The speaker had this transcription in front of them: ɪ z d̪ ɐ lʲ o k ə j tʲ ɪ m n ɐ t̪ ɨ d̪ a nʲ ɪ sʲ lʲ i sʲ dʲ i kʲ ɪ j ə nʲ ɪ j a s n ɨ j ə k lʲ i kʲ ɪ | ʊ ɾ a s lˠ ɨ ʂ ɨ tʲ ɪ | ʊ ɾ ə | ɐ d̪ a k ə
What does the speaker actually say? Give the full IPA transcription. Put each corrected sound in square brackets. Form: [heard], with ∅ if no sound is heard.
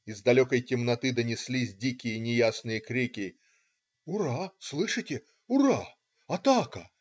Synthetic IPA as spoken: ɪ z d̪ ɐ lʲ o k ə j tʲ ɪ m n ɐ t̪ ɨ d̪ [ə] nʲ ɪ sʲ lʲ i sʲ dʲ i kʲ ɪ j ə nʲ ɪ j a s n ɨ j ə k [ɾʲ] i kʲ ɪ | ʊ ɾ a s lˠ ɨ ʂ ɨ tʲ ɪ | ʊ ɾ [a] | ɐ [t̪] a k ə

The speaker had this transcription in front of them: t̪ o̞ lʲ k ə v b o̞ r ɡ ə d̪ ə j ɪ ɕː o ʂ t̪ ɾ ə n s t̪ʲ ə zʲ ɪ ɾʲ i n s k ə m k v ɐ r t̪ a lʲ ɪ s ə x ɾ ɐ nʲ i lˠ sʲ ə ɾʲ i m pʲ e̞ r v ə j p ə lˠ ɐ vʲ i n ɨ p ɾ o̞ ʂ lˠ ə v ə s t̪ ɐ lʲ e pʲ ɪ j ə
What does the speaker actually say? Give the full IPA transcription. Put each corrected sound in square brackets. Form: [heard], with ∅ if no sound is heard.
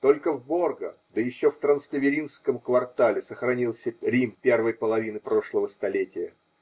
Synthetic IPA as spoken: t̪ o̞ lʲ k ə v b o̞ r ɡ ə d̪ ə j ɪ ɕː o [f] t̪ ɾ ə n s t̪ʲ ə [vʲ] ɪ ɾʲ i n s k ə m k v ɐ r t̪ a lʲ ɪ s ə x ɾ ɐ nʲ i lˠ sʲ ə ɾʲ i m pʲ e̞ r v ə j p ə lˠ ɐ vʲ i n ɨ p ɾ o̞ ʂ lˠ ə v ə s t̪ ɐ lʲ e [tʲ] ɪ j ə

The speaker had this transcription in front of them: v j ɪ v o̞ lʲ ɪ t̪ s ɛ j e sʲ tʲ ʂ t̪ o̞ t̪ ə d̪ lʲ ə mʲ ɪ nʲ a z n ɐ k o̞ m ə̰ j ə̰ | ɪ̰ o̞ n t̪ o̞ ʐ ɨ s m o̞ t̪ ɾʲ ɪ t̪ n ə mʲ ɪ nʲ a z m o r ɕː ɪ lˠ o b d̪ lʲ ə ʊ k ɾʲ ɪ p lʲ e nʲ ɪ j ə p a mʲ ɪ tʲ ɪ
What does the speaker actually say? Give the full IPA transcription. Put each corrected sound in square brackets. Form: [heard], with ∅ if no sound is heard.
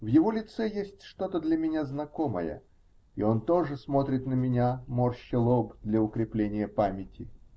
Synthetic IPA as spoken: v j ɪ v o̞ lʲ ɪ t̪ s ɛ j e sʲ tʲ ʂ t̪ o̞ t̪ ə d̪ lʲ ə mʲ ɪ nʲ a z n ɐ k o̞ m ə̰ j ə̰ | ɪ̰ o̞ n t̪ o̞ ʐ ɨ s m o̞ t̪ ɾʲ ɪ t̪ n ə mʲ ɪ nʲ a [∅] m o r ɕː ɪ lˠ o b d̪ lʲ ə ʊ k ɾʲ ɪ p lʲ e nʲ ɪ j ə p a mʲ ɪ tʲ ɪ

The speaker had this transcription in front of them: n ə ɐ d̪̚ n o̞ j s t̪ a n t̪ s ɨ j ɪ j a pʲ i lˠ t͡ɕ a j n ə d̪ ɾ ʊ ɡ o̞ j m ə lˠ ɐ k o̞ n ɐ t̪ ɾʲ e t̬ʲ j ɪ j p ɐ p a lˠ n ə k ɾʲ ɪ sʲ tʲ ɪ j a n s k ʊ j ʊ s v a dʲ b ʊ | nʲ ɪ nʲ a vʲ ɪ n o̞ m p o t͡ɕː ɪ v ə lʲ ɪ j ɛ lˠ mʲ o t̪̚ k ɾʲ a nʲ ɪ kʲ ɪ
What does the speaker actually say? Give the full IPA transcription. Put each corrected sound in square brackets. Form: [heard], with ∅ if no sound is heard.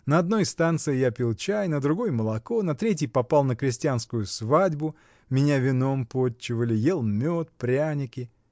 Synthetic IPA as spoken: n ə ɐ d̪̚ n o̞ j s t̪ a n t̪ s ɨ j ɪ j a pʲ i lˠ t͡ɕ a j n ə d̪ ɾ ʊ ɡ o̞ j m ə lˠ ɐ k o̞ n ɐ t̪ ɾʲ e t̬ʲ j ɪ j p ɐ p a lˠ n ə k ɾʲ ɪ sʲ tʲ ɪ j a n s k ʊ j ʊ s v a dʲ b ʊ | [mʲ] ɪ nʲ a vʲ ɪ n o̞ m p o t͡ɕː ɪ v ə lʲ ɪ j [e] lˠ mʲ o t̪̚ [p] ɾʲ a nʲ ɪ kʲ ɪ

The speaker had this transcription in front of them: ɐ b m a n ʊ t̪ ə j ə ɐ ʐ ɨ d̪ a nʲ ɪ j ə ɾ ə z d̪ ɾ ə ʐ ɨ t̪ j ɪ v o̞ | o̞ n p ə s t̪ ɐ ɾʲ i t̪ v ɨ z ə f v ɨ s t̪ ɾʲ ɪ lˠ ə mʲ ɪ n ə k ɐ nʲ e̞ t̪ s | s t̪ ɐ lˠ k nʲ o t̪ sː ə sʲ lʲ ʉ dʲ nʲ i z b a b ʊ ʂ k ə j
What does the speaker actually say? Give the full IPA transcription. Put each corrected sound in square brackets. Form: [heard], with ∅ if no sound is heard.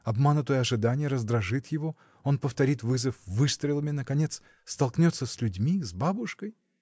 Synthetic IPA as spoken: ɐ b m a n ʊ t̪ ə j ə ɐ ʐ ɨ d̪ a nʲ ɪ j ə ɾ ə z d̪ ɾ [ɐ] ʐ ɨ t̪ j ɪ v o̞ | o̞ n p ə [f] t̪ ɐ ɾʲ i t̪ v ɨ z ə f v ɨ s t̪ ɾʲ ɪ lˠ ə mʲ ɪ n ə k ɐ nʲ e̞ t̪ s | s t̪ ɐ lˠ k nʲ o t̪ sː ə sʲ lʲ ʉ dʲ [mʲ] i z b a b ʊ ʂ k ə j

